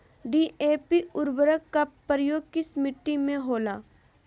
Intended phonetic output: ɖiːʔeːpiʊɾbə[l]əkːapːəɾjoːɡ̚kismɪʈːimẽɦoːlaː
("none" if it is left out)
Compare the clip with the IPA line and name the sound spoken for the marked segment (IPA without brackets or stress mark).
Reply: ɾ